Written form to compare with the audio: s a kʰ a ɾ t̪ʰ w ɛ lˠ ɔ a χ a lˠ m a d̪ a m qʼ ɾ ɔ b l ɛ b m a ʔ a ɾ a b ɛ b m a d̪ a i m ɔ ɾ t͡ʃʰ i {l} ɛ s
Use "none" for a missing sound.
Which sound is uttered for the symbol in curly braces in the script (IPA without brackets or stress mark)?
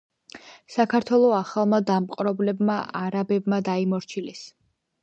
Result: l